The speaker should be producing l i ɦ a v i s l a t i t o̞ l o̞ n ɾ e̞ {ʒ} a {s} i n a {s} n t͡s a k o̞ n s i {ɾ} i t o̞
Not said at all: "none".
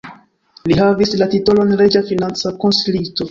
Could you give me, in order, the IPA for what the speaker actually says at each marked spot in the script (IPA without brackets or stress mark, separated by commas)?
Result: d͡ʒ, f, none, l